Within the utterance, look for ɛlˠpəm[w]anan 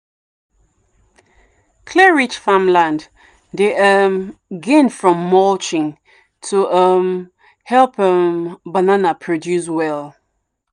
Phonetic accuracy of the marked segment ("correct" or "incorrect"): incorrect